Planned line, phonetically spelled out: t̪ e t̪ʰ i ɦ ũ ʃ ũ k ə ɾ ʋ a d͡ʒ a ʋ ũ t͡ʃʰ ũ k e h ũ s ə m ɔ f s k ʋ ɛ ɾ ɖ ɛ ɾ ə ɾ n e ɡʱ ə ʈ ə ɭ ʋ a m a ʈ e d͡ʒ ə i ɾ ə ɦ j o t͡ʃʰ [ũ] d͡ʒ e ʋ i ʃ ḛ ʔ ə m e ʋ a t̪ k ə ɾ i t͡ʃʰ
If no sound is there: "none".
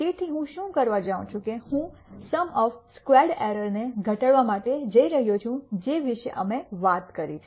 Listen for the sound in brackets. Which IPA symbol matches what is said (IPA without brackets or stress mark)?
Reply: ũ